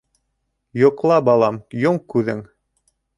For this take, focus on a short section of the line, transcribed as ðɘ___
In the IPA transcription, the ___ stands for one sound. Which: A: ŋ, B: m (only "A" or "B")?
A